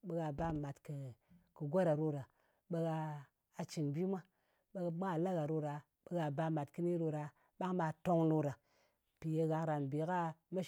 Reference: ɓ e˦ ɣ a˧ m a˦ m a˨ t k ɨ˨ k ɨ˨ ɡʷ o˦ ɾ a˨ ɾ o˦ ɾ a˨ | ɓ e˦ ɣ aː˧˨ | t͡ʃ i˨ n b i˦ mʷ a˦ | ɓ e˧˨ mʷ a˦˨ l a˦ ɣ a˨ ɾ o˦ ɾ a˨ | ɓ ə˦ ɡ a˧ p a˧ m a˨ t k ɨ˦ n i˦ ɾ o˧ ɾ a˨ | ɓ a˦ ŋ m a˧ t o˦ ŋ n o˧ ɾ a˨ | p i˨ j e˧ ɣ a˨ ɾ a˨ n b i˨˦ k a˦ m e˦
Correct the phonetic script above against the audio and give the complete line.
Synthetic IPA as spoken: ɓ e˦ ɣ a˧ b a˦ m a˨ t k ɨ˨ k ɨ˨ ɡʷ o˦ ɾ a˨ ɾ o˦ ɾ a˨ | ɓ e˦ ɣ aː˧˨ | t͡ʃ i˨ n b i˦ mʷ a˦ | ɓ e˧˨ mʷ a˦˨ l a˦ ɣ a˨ ɾ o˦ ɾ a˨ | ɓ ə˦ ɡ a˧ b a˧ m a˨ t k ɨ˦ n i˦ ɾ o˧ ɾ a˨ | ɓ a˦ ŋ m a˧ t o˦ ŋ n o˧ ɾ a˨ | p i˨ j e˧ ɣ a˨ ɾ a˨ n b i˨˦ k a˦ m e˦